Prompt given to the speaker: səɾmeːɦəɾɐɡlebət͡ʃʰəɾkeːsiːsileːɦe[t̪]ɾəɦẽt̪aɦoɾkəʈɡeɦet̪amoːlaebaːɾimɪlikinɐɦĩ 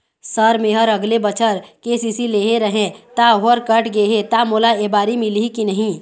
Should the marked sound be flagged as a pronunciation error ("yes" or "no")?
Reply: yes